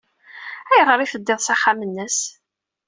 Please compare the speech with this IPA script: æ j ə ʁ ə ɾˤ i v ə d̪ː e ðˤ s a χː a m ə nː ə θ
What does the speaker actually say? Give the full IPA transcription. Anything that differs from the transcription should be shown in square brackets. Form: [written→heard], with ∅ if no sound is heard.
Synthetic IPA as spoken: æ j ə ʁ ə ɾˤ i [v→f] ə d̪ː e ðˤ s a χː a m ə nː ə [θ→s]